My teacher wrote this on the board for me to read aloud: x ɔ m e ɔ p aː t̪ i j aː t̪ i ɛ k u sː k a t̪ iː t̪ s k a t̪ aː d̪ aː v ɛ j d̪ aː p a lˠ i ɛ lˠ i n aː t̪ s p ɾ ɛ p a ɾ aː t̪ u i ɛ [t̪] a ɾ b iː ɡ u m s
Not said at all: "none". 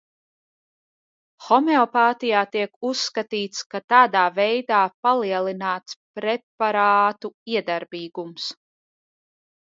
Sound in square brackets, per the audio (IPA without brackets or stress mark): d̪